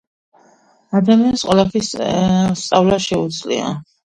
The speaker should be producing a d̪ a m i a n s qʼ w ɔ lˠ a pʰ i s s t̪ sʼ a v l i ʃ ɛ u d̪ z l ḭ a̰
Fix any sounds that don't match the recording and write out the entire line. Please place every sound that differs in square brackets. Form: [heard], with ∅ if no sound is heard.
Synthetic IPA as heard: a d̪ a m i a n s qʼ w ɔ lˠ a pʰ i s s t̪ sʼ a v l [a] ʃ ɛ u d̪ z l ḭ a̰